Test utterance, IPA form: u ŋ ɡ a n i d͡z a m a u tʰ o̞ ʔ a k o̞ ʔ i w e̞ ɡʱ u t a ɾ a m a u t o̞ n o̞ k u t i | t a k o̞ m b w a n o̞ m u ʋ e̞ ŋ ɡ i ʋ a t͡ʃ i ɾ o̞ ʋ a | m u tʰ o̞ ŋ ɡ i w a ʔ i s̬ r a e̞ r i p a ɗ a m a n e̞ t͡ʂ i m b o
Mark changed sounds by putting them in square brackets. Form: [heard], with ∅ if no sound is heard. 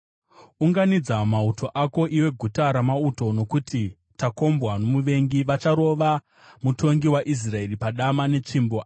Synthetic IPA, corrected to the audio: u ŋ ɡ a n i d͡z a m a u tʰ o̞ ʔ a k o̞ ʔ i w e̞ ɡʱ u t a ɾ a m a u t o̞ n o̞ k u t i | t a k o̞ m b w a n o̞ m u ʋ e̞ ŋ ɡ i ʋ a t͡ʃ [a] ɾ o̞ ʋ a | m u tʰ o̞ ŋ ɡ i w a ʔ i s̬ r a e̞ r i p a ɗ a m a n e̞ t͡ʂ i m b o